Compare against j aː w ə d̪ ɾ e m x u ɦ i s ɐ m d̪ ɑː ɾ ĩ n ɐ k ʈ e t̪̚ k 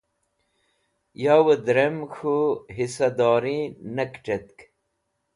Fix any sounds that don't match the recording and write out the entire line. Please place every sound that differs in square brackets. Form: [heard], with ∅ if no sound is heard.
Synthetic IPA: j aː w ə d̪ ɾ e m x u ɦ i s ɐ [∅] d̪ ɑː ɾ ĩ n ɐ k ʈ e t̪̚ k